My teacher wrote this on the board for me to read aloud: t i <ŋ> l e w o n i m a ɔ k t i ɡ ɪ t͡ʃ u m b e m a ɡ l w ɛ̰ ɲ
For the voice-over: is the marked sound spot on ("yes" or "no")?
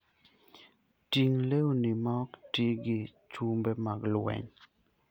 yes